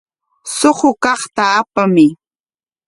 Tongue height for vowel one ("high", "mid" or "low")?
mid